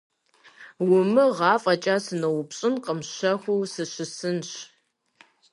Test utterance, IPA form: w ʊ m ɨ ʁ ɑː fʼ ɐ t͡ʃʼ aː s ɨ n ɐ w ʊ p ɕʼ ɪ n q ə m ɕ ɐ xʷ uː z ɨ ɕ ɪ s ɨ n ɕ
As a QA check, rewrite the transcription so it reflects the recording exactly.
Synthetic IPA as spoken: w ʊ m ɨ ʁ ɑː fʼ ɐ t͡ʃʼ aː s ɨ n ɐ w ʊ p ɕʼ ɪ n q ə m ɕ ɐ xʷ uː s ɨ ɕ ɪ s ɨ n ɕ